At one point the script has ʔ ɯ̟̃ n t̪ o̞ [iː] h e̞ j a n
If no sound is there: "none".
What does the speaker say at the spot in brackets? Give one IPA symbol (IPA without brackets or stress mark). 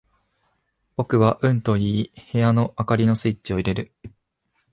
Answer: iː